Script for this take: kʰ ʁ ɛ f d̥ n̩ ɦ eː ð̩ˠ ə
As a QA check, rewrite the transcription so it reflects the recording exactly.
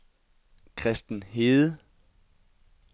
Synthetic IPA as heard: kʰ ʁ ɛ s d̥ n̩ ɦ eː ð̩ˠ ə